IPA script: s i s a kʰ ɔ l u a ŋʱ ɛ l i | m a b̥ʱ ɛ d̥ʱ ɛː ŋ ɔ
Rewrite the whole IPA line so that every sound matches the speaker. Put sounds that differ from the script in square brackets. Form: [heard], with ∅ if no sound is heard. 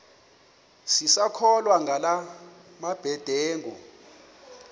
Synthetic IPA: s i s a kʰ ɔ l [w] a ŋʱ [a] l [a] | m a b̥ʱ ɛ d̥ʱ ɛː ŋ ɔ